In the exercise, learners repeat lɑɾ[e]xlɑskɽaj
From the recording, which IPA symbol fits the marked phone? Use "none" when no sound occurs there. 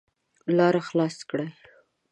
a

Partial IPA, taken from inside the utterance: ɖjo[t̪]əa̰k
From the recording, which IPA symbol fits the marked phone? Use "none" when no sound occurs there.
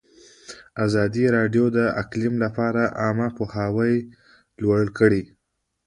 d̪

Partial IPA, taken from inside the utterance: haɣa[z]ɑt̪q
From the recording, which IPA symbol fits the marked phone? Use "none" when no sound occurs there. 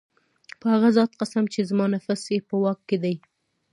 z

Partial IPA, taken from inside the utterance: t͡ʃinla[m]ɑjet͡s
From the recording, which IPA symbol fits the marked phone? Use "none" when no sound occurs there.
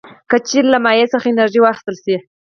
m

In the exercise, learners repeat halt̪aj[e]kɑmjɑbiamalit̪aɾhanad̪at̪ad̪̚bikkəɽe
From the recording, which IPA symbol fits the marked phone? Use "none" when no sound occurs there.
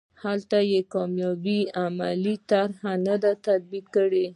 e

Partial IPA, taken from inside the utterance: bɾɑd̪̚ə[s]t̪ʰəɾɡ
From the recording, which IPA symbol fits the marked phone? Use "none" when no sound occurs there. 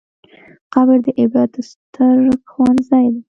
s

